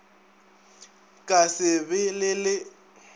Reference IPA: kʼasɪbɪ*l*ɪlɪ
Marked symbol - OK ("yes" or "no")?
yes